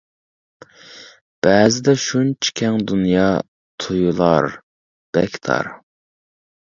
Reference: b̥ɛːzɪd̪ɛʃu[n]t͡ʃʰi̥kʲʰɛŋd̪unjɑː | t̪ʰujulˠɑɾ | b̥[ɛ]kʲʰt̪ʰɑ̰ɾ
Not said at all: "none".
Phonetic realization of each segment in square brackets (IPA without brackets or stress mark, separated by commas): n, ɛ